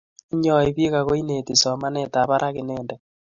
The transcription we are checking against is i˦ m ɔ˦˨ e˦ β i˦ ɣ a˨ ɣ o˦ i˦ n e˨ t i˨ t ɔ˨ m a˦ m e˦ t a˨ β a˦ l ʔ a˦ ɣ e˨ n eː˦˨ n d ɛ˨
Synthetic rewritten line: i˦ ɲ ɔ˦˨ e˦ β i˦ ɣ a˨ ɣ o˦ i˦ n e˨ t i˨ s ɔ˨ m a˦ n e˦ t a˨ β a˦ ɾ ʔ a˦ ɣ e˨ n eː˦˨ n d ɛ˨